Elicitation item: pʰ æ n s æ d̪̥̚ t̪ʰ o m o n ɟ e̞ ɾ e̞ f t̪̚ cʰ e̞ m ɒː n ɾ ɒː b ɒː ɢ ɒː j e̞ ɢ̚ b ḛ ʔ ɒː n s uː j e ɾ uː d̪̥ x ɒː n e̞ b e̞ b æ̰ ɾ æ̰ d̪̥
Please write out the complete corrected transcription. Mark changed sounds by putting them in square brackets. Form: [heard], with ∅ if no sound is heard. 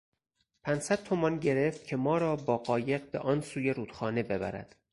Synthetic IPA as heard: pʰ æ n s æ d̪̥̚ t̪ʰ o m [ɒ] n ɟ e̞ ɾ e̞ f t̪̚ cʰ e̞ m ɒː [∅] ɾ ɒː b ɒː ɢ ɒː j e̞ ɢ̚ b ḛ ʔ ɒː n s uː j e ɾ uː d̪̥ x ɒː n e̞ b e̞ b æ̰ ɾ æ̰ d̪̥